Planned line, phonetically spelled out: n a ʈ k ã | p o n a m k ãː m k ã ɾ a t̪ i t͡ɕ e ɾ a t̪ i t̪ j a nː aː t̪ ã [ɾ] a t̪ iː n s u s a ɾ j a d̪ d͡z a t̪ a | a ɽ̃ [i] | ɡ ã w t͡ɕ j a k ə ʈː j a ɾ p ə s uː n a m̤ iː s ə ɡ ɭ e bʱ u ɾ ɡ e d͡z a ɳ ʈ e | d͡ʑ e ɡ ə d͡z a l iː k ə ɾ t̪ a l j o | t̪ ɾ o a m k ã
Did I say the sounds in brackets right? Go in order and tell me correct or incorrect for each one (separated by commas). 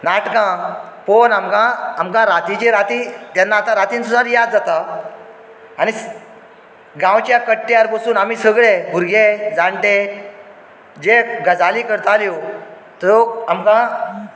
correct, correct